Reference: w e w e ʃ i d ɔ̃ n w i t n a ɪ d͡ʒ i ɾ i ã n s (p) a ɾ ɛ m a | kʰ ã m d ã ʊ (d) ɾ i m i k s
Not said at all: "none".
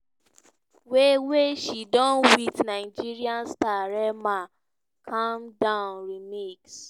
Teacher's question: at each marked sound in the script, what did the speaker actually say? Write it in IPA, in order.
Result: t, n

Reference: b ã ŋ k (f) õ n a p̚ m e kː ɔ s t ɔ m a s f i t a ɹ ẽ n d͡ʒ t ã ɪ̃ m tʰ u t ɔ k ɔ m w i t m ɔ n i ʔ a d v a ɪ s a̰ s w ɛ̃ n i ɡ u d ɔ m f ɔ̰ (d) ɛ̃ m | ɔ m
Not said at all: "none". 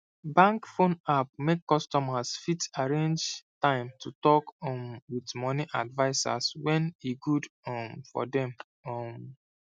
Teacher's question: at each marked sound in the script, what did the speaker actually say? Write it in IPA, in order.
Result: f, d

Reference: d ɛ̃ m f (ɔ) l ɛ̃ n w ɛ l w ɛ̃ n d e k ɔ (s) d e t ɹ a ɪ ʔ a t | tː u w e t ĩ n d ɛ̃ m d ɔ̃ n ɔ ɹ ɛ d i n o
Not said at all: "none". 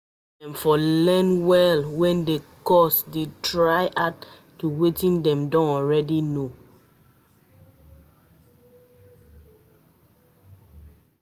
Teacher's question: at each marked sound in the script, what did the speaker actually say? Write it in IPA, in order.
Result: ɔ, s

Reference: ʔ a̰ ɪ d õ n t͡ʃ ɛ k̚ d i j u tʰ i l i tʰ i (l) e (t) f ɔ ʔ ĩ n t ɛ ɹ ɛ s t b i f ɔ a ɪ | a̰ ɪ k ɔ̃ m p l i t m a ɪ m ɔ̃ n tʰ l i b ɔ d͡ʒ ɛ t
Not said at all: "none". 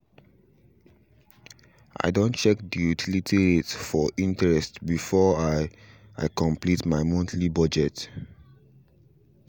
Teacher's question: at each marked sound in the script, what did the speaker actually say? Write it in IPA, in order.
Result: ɹ, t

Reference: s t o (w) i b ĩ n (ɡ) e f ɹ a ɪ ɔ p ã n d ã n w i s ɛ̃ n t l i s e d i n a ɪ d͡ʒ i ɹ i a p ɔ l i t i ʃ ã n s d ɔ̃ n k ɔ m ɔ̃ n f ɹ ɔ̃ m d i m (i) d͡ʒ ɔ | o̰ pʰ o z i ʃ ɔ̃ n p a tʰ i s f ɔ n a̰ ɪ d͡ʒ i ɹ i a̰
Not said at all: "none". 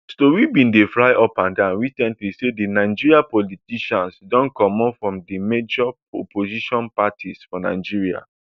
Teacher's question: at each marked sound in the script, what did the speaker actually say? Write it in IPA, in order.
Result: w, d, e

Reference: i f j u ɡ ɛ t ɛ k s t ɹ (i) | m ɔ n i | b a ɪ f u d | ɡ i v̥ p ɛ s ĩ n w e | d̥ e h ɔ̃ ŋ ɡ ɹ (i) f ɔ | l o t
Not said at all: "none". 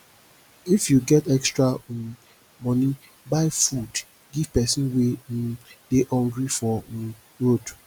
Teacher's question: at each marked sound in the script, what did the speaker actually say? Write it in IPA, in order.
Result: a, i

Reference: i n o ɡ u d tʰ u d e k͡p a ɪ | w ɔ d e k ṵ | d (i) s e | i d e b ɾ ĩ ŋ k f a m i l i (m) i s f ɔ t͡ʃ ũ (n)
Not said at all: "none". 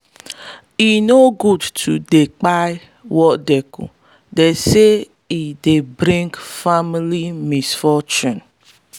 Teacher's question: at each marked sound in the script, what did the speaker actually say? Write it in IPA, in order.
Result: e, m, n

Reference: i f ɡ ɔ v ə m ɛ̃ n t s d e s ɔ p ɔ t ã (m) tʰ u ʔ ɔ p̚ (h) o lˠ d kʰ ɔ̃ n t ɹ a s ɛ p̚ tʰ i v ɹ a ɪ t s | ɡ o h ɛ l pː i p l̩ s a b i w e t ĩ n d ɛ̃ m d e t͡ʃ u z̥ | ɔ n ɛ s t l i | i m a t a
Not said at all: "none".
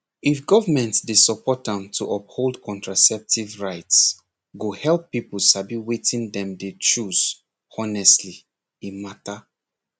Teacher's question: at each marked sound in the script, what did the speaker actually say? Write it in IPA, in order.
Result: m, h

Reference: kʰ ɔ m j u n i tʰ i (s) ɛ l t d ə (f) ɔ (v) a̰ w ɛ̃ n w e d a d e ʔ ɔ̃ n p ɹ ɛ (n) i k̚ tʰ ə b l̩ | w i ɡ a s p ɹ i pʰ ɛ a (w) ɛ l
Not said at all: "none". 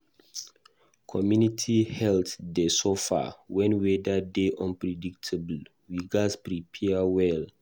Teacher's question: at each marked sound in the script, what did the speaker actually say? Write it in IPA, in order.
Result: h, s, f, d, w

